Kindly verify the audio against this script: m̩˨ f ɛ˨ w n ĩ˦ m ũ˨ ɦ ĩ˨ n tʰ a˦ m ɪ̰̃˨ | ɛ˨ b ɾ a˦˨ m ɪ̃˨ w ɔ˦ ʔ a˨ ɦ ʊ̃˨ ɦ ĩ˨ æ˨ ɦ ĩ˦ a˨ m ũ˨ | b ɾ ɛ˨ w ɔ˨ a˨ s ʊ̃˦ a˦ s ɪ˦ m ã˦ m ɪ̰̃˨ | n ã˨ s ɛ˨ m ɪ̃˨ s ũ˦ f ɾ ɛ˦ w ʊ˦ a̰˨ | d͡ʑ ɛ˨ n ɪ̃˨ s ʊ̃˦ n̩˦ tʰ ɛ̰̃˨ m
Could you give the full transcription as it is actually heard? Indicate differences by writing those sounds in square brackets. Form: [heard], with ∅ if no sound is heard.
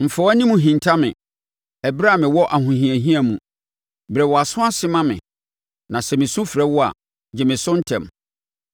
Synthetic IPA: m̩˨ f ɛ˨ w n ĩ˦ m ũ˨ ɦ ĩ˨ n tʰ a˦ m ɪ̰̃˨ | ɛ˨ b ɾ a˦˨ m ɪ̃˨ w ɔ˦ ʔ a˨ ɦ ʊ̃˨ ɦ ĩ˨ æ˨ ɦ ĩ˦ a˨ m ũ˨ | b ɾ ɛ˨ w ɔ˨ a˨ s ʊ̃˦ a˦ s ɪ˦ m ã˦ m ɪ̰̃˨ | n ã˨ s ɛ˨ m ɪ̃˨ s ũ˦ f ɾ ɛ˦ w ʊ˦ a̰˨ | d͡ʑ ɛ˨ [m] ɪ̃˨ s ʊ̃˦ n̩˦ tʰ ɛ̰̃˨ m